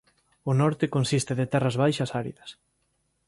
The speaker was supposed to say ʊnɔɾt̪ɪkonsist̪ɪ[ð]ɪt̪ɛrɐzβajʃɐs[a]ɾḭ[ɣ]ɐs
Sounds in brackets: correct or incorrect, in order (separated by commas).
correct, correct, incorrect